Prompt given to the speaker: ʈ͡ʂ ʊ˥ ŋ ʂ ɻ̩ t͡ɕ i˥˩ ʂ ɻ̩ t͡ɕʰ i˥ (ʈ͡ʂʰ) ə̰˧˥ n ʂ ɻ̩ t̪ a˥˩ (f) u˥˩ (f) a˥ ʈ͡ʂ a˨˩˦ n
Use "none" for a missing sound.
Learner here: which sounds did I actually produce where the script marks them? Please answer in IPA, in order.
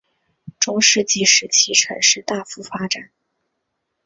ʈ͡ʂʰ, f, f

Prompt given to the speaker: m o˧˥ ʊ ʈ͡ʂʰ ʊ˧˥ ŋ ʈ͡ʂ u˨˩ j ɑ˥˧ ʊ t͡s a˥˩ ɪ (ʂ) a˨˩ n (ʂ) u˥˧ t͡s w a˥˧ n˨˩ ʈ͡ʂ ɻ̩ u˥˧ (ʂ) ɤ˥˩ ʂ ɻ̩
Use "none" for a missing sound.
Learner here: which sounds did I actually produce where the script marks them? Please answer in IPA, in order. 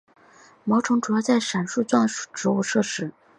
ʂ, ʂ, ʂ

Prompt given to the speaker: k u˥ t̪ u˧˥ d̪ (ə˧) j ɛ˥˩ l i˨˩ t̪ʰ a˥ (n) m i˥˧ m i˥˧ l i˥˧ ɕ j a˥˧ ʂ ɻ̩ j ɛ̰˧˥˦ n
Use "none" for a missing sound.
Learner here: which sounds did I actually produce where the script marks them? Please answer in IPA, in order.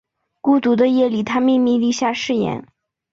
ə˧, none

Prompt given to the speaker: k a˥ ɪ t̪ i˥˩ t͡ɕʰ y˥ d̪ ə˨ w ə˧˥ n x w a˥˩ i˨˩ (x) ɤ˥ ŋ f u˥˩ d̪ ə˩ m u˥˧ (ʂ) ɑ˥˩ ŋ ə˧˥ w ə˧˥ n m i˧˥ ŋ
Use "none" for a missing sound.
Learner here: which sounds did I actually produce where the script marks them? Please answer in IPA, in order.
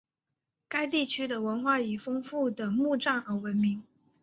f, ʈ͡ʂ

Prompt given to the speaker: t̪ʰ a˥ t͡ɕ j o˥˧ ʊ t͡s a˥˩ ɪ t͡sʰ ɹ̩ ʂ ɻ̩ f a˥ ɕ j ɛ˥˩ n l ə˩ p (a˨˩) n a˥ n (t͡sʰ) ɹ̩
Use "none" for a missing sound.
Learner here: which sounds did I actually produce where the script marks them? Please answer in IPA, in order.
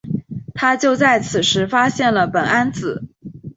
ə˨˩, t͡s

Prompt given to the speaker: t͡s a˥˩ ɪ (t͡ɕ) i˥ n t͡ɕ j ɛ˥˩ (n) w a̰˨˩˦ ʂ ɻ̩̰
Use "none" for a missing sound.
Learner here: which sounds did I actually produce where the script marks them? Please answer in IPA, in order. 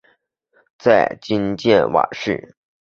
t͡ɕ, n

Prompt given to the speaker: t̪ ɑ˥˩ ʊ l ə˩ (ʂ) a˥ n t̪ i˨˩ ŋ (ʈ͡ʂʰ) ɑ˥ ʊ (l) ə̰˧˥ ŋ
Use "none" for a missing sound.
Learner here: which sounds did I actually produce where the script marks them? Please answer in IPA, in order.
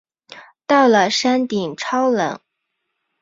ʂ, ʈ͡ʂʰ, l

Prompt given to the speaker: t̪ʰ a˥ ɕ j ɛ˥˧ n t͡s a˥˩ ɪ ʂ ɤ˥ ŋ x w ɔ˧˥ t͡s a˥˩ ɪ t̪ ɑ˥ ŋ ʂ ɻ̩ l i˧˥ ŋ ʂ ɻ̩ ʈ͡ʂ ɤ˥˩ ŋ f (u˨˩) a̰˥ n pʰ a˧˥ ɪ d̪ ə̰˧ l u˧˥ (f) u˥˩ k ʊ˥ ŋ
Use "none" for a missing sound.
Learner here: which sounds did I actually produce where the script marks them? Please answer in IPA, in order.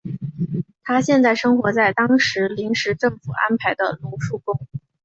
u˨˩, ʂ

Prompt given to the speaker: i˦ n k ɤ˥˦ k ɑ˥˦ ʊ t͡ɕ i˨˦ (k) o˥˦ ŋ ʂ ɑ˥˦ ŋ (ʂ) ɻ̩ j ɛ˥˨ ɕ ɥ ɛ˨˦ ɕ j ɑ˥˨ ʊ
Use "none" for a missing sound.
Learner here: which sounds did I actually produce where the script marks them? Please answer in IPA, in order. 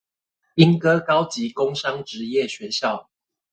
k, ʈ͡ʂ

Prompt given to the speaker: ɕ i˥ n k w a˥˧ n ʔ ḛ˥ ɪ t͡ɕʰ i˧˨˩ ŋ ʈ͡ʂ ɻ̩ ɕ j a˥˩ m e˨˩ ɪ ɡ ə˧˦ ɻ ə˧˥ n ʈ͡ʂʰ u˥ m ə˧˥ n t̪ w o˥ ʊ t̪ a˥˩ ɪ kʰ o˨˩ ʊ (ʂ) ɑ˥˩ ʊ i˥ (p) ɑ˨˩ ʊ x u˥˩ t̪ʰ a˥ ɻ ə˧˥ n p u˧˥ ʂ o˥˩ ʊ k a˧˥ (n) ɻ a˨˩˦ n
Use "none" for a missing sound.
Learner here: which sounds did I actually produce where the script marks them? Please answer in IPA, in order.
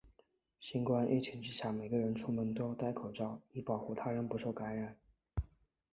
ʈ͡ʂ, p, n

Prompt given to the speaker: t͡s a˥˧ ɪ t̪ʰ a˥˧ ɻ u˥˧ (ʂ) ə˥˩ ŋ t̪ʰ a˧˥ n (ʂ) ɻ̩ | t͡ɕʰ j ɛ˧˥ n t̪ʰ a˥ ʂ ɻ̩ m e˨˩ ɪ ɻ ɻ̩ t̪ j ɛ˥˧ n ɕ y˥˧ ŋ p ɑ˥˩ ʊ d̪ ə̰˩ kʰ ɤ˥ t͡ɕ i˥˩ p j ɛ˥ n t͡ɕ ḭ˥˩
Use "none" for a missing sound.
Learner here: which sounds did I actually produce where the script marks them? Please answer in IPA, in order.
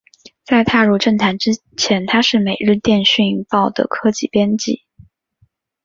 ʈ͡ʂ, ʈ͡ʂ

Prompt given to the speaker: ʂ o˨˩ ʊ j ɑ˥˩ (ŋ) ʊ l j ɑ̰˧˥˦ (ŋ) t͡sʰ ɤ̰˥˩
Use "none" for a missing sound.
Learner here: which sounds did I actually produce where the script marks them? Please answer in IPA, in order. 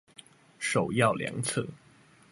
none, ŋ

